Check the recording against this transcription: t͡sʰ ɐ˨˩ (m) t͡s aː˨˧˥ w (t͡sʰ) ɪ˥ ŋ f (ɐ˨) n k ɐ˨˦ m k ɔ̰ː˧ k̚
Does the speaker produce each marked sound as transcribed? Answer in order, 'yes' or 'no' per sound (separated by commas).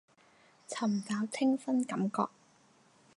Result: yes, yes, no